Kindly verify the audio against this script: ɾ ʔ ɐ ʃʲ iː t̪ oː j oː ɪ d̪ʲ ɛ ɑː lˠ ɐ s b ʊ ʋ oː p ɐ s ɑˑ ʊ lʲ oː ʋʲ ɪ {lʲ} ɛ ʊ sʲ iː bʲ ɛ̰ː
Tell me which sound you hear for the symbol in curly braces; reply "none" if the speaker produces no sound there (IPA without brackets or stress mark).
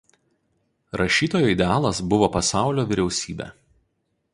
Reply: ɾʲ